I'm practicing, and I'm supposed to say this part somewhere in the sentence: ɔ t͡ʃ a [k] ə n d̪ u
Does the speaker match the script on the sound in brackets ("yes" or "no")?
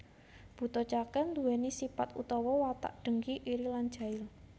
yes